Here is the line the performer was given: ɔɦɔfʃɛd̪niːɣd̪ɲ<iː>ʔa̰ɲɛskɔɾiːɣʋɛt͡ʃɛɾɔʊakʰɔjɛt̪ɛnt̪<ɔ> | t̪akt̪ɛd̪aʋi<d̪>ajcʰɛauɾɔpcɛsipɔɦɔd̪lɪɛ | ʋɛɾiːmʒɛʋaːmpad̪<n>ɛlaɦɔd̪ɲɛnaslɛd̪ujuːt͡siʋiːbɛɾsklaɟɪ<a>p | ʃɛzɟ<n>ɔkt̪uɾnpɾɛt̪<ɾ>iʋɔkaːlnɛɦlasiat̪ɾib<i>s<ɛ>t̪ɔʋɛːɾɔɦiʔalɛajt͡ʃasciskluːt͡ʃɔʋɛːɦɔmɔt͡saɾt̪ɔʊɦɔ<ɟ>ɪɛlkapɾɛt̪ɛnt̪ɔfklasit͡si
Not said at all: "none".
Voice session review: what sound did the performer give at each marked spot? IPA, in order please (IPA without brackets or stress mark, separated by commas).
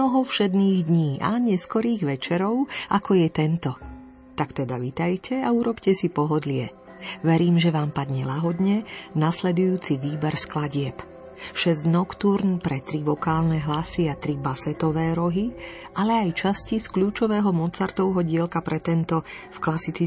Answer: iː, ɔ, t̪, ɲ, ɛ, n, ɾ, a, ɛ, ɟ